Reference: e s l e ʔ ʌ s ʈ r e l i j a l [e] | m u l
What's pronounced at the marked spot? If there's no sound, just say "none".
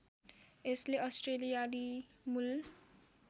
i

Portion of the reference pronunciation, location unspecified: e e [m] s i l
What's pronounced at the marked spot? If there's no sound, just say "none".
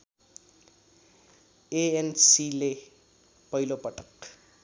n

